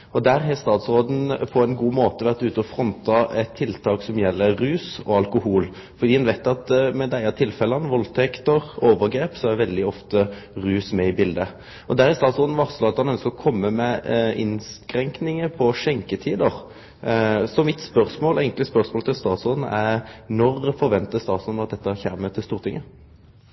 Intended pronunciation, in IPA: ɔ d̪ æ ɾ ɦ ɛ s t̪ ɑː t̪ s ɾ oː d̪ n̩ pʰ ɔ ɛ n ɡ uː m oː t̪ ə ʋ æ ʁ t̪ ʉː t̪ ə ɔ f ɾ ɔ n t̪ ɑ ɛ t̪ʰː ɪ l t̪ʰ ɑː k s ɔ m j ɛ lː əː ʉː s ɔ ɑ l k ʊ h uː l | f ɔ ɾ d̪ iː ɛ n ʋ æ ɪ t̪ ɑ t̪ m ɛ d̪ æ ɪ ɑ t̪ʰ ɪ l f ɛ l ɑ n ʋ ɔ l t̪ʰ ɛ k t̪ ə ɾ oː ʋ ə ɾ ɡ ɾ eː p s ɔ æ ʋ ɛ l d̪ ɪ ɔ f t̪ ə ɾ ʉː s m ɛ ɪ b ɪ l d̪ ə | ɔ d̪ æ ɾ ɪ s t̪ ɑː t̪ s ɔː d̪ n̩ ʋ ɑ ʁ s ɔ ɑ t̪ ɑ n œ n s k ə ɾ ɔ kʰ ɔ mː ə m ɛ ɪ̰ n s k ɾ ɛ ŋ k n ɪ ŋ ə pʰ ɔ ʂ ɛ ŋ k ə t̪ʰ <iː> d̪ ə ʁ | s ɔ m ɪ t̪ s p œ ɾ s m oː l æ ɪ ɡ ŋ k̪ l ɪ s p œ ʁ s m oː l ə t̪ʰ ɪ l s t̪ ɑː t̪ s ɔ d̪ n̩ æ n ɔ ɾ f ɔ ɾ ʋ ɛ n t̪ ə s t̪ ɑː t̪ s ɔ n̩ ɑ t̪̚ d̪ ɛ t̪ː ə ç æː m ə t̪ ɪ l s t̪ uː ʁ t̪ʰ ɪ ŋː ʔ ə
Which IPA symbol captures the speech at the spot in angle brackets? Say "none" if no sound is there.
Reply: iː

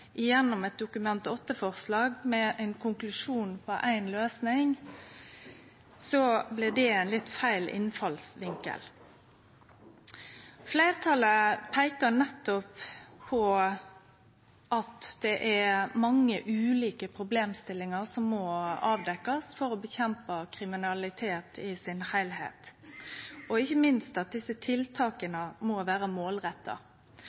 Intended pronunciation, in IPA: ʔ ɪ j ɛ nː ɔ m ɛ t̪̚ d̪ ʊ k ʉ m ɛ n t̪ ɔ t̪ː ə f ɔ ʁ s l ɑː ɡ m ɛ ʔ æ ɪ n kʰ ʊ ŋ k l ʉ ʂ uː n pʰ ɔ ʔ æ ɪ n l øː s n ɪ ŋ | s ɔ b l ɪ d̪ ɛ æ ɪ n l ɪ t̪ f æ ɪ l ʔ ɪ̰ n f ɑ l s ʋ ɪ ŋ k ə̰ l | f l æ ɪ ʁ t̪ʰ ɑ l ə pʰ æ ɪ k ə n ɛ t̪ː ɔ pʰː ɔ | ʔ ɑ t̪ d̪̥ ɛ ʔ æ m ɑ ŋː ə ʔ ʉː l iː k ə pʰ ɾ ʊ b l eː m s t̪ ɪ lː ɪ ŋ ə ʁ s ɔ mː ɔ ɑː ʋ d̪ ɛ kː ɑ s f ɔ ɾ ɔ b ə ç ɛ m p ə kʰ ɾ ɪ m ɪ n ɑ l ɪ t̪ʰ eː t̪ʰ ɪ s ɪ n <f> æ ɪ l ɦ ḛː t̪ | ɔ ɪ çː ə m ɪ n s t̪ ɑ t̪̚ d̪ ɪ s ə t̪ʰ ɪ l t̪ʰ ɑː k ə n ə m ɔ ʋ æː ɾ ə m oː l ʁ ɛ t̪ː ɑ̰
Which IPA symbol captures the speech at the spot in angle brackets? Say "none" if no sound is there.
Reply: h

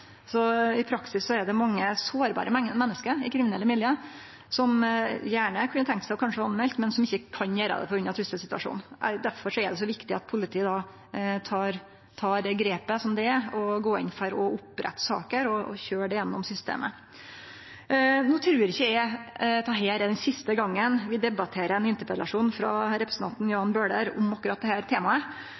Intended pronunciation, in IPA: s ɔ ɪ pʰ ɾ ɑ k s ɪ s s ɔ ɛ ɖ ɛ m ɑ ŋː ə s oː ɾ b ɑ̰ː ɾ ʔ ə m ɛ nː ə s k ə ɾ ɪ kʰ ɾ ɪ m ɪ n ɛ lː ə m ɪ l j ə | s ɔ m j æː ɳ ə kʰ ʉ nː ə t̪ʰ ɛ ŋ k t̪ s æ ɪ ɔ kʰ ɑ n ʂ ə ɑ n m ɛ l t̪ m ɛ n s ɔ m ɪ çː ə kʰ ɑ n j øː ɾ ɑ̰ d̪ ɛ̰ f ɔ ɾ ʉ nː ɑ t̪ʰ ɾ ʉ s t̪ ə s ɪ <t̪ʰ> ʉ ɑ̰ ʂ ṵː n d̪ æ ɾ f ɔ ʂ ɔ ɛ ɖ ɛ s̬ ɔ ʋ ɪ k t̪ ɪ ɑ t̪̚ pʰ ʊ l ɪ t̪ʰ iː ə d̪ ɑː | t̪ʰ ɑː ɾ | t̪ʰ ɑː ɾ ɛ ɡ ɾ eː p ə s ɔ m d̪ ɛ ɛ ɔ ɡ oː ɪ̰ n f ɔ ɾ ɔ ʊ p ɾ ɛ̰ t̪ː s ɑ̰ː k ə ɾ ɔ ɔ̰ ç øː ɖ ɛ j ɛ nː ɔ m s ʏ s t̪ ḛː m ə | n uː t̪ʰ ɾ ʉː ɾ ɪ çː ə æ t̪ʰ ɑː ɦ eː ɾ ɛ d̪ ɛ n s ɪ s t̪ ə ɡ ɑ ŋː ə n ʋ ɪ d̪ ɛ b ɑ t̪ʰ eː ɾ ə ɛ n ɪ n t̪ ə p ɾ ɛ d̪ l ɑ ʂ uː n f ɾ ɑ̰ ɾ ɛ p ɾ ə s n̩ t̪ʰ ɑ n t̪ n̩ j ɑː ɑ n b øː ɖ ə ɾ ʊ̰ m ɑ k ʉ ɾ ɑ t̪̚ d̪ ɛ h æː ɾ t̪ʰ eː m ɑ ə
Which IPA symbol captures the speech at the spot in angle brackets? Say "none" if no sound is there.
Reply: t̪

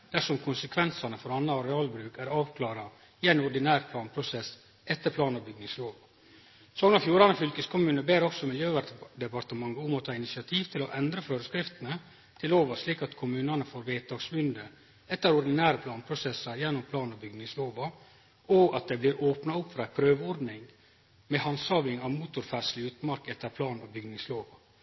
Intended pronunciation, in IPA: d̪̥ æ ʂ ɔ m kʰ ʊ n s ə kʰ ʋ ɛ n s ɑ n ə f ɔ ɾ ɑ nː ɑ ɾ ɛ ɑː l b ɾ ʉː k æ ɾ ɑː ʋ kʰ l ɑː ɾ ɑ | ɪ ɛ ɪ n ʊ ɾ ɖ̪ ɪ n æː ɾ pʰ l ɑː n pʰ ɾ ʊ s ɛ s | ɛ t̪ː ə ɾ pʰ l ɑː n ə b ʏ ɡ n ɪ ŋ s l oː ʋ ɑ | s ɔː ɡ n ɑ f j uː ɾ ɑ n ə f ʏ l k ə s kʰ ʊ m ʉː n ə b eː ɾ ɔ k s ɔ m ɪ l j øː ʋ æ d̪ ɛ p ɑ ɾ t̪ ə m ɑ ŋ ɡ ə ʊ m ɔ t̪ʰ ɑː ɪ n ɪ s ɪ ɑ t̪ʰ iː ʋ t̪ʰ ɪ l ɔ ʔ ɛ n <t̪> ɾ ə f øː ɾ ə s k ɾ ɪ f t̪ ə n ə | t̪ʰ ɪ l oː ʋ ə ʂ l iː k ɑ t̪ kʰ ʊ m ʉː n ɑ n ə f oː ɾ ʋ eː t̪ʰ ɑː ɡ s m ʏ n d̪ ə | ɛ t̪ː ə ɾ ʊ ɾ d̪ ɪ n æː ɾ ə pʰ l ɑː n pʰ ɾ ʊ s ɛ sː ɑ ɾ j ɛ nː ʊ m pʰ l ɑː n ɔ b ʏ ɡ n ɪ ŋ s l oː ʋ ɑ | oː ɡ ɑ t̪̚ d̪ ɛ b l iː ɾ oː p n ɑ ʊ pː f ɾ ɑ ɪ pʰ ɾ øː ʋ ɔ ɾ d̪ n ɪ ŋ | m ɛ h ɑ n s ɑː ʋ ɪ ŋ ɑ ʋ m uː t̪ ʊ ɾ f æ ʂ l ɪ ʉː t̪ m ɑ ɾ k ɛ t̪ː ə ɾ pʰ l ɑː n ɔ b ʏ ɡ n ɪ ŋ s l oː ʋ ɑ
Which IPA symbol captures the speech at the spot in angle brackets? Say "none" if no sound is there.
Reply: d̪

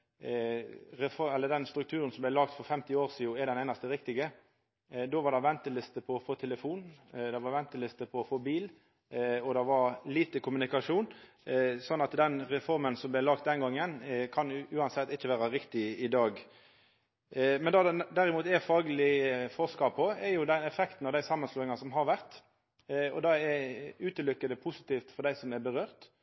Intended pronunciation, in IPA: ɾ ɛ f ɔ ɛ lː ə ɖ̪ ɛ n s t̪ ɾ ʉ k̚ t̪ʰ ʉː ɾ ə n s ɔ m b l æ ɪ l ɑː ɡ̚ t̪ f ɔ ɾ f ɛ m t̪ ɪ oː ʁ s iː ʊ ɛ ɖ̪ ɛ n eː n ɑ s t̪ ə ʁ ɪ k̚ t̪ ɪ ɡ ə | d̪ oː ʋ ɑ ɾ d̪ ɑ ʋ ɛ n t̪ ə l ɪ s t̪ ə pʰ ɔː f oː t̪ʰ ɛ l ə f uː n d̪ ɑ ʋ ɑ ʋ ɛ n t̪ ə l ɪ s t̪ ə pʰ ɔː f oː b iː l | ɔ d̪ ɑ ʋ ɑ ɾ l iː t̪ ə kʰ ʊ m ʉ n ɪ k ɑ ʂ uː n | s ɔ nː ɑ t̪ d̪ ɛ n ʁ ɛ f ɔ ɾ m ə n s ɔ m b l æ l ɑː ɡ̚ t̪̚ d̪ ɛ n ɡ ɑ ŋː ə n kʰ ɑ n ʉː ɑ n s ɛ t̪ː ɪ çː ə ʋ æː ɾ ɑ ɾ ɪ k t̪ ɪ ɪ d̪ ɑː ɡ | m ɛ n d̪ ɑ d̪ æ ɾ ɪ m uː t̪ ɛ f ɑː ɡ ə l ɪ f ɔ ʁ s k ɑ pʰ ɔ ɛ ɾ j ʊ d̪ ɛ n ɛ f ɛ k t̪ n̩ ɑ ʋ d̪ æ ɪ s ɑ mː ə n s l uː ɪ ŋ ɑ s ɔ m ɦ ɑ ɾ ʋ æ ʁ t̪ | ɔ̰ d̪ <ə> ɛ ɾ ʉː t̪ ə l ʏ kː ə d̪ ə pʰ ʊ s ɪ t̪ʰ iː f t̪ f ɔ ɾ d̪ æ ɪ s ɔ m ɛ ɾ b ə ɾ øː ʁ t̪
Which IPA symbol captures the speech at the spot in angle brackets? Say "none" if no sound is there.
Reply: ɑ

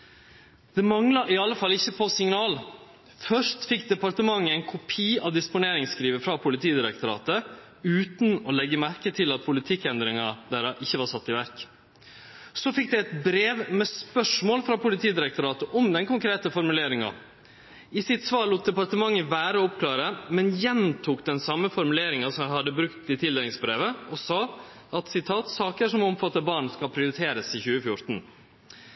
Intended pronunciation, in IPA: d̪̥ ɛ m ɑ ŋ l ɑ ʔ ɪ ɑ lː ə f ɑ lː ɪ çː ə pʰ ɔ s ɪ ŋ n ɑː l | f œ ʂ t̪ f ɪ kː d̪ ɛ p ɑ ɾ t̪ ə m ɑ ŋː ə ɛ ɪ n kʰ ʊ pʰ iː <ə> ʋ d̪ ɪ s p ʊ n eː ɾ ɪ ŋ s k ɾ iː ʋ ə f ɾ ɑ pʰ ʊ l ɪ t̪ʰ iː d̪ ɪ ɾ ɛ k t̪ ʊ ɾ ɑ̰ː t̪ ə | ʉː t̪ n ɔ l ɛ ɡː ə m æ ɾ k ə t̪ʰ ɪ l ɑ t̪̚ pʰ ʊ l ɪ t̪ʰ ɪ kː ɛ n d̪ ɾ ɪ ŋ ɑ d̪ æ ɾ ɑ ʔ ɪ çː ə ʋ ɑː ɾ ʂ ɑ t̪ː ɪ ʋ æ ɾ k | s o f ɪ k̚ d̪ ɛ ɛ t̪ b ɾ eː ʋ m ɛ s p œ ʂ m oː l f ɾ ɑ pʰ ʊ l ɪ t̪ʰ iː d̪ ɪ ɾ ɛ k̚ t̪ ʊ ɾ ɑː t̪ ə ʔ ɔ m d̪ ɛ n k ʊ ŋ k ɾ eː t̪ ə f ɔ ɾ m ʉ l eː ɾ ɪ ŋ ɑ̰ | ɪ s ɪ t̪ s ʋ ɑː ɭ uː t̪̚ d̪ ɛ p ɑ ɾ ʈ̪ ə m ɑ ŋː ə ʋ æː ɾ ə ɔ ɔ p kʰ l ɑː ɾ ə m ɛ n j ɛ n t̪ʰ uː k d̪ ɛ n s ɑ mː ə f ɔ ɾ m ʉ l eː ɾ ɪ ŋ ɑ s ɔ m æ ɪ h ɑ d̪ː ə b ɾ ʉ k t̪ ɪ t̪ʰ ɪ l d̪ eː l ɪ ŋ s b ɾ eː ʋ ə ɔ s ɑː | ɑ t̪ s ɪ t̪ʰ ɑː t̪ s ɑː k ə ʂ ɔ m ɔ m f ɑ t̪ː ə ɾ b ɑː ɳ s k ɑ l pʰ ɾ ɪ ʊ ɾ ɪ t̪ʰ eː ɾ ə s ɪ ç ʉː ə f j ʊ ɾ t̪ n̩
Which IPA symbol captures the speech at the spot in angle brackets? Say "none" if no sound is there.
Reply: ɑ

